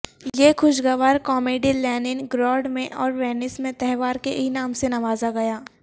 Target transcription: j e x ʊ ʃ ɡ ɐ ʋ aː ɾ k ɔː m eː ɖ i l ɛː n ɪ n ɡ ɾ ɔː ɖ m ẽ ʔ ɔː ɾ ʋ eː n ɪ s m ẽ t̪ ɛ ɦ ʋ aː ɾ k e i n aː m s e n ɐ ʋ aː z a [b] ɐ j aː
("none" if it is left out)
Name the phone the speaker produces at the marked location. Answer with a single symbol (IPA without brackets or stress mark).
ɡ